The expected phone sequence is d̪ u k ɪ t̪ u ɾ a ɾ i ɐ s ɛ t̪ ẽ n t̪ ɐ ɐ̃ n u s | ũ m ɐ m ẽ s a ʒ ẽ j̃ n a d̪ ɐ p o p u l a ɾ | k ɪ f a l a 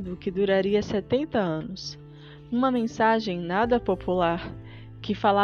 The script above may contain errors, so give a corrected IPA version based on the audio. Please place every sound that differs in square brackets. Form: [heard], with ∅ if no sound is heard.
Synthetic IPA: d̪ [ʊ] k ɪ [d̪] u ɾ a ɾ i ɐ s ɛ t̪ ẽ n t̪ ɐ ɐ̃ n [ʊ] s | ũ m ɐ m ẽ s a ʒ ẽ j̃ n a d̪ ɐ p o p u l a ɾ | k ɪ f a l a